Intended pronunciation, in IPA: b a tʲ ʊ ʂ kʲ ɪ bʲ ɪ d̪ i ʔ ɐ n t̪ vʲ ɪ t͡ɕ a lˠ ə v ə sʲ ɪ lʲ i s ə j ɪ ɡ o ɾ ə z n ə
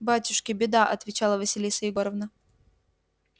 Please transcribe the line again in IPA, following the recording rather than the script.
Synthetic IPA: b a tʲ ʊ ʂ kʲ ɪ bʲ ɪ d̪ a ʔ ɐ t̪ vʲ ɪ t͡ɕ a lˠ ə v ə sʲ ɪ lʲ i s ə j ɪ ɡ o ɾ ə v n ə